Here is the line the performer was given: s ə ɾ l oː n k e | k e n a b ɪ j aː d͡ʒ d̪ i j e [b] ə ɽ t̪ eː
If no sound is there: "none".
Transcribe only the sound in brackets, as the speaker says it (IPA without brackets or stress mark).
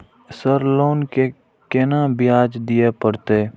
p